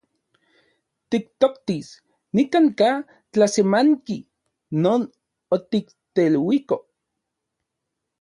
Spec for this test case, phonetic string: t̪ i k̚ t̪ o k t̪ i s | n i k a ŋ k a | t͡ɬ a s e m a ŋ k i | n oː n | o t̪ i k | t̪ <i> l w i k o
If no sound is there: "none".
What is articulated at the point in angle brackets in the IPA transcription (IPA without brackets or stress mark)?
e